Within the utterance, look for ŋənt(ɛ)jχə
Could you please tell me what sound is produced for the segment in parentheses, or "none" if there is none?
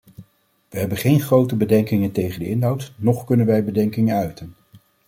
e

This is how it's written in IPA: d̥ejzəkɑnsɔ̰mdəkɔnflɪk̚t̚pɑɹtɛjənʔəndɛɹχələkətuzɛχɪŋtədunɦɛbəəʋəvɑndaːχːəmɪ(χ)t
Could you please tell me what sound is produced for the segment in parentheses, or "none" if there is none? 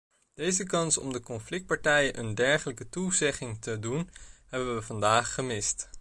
s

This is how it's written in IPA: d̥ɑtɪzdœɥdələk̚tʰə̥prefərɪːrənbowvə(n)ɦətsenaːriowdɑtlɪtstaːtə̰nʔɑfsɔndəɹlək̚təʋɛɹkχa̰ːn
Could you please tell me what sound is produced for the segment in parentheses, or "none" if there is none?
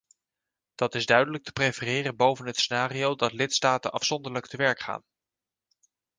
n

